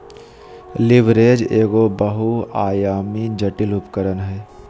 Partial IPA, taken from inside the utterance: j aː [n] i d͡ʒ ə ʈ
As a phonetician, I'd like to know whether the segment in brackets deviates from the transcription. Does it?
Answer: yes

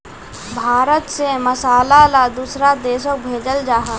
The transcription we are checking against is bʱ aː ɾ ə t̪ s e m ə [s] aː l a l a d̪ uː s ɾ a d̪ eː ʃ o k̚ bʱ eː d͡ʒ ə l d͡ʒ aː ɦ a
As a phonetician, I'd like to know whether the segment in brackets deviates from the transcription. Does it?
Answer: no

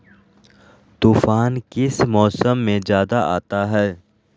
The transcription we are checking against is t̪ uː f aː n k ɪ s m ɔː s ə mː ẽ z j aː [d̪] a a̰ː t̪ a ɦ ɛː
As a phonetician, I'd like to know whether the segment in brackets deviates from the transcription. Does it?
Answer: no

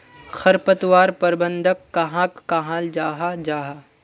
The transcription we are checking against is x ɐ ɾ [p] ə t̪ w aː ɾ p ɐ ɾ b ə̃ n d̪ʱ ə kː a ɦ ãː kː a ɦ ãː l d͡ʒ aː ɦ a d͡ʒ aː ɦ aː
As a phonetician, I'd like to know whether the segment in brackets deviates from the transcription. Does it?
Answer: no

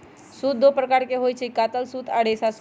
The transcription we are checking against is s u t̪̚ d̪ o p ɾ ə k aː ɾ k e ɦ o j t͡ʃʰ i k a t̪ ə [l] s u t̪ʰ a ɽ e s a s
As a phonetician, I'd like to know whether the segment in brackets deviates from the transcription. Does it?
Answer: no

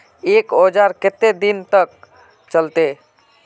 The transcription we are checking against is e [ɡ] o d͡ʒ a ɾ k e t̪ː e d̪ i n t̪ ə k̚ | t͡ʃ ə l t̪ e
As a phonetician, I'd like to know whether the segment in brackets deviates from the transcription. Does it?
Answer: yes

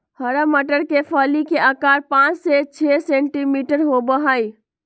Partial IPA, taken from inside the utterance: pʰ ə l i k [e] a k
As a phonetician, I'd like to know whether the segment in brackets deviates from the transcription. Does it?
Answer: no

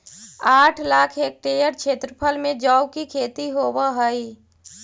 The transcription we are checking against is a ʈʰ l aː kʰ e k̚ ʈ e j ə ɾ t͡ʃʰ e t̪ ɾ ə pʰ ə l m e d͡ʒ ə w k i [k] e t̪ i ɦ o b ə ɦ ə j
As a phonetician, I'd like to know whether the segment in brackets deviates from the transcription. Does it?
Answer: yes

